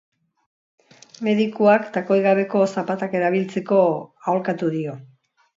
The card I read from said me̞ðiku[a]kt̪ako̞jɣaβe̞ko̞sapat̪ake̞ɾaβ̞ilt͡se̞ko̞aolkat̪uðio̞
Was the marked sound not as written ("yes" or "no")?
no